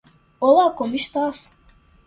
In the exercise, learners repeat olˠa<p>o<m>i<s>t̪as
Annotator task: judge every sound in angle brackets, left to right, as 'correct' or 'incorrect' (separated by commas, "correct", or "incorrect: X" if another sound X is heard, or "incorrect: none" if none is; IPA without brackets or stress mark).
incorrect: k, correct, incorrect: ʃ